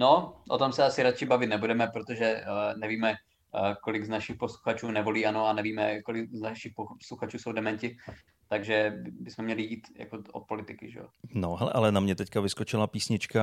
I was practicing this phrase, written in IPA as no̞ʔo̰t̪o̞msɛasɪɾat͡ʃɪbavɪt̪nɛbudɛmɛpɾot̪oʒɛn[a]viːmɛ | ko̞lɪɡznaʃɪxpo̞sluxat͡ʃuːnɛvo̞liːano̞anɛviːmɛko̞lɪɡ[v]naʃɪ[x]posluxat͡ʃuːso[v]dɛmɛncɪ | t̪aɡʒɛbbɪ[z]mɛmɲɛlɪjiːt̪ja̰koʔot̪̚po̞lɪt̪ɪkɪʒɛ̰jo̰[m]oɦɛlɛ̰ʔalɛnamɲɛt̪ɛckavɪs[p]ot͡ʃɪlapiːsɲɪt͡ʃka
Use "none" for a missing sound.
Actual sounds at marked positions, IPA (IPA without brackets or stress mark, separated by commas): ɛ, z, x, w, s, n, k